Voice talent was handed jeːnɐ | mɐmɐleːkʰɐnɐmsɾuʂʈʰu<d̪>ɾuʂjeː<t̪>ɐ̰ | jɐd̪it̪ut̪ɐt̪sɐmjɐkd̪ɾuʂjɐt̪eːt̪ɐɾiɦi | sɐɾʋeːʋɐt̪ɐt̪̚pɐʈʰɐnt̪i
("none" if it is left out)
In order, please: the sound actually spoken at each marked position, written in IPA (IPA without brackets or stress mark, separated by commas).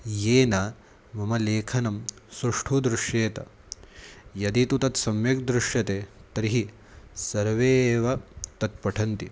d̪, t̪